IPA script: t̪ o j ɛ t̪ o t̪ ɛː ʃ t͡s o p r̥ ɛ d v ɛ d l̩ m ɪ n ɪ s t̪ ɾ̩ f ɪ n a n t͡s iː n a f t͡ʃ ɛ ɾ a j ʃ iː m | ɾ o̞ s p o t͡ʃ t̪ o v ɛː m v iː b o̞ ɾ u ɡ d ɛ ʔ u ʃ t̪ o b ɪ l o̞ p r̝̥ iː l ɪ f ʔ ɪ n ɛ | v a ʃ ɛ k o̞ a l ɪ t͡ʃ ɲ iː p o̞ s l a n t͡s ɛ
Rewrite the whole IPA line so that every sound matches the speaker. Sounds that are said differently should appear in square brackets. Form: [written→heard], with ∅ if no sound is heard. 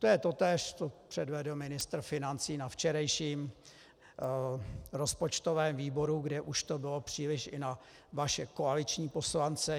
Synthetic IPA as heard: t̪ o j ɛ t̪ o t̪ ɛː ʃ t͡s o p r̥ ɛ d v ɛ d l̩ m ɪ n ɪ s t̪ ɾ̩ f ɪ n a n t͡s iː n a f t͡ʃ ɛ ɾ a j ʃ iː m | ɾ o̞ s p o t͡ʃ t̪ o v ɛː m v iː b o̞ ɾ u ɡ d ɛ ʔ u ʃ t̪ o b ɪ l o̞ p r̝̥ iː l ɪ [f→ʃ] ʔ ɪ n [ɛ→a] | v a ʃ ɛ k o̞ a l ɪ t͡ʃ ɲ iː p o̞ s l a n t͡s ɛ